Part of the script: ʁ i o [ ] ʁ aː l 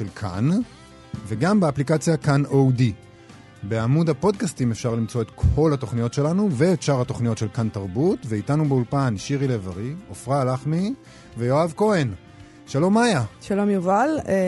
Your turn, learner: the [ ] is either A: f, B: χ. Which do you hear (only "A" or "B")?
A